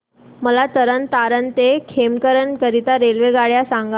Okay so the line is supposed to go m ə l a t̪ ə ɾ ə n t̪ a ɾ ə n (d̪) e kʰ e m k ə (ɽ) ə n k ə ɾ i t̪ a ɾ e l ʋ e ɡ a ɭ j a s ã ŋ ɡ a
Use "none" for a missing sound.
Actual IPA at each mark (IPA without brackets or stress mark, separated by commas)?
t̪, ɾ